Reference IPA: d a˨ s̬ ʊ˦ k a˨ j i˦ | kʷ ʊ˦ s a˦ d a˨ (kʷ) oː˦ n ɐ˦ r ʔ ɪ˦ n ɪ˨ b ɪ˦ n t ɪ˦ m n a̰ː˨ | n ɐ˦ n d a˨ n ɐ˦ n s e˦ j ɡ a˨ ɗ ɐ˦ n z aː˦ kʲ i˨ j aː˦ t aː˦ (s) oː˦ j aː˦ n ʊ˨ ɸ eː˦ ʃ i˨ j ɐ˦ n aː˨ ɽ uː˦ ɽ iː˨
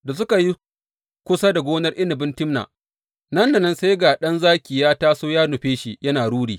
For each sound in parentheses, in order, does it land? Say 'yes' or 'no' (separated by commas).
no, yes